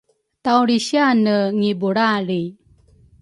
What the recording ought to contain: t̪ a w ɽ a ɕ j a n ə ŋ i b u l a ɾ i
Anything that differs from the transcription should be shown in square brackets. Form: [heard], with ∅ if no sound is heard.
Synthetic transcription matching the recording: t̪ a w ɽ [i] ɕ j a n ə ŋ i b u [ɽ] a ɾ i